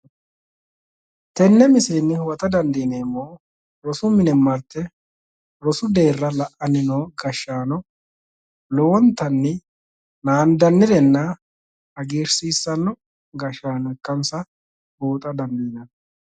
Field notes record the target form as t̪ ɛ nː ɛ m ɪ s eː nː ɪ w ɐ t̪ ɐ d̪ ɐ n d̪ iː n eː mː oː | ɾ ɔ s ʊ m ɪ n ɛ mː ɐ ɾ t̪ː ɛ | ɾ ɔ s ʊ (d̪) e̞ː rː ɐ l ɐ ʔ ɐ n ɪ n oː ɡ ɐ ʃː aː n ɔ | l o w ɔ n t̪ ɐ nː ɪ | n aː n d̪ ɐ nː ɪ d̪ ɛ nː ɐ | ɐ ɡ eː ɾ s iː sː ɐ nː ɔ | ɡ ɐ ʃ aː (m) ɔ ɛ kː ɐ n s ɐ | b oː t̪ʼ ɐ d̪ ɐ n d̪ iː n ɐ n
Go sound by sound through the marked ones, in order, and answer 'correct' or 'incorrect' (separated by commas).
correct, incorrect